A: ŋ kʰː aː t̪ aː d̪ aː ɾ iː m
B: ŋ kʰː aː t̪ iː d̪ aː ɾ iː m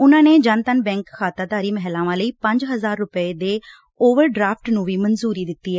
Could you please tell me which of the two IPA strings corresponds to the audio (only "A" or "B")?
A